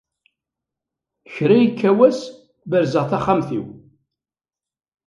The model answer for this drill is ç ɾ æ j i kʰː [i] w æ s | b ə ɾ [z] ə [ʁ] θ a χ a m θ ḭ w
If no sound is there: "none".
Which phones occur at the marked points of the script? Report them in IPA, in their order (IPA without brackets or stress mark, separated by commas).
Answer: æ, z, ʁ